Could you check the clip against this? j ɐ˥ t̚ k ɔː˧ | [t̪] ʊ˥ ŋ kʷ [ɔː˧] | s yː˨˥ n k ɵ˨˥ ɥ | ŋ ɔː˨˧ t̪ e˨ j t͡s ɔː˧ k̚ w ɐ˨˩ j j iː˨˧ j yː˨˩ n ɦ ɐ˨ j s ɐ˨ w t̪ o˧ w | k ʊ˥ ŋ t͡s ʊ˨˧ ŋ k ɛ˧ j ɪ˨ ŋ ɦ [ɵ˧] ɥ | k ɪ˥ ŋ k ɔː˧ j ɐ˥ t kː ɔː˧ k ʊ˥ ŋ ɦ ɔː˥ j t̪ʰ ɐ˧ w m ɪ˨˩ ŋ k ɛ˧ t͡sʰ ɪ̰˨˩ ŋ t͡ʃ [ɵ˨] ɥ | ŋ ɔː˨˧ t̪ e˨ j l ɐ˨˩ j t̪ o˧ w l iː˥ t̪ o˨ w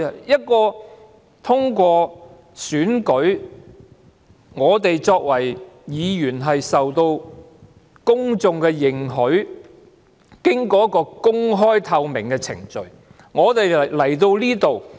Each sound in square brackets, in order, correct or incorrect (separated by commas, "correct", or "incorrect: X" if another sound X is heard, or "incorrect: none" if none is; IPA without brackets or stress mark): incorrect: t̪ʰ, correct, incorrect: ɵ˨˥, correct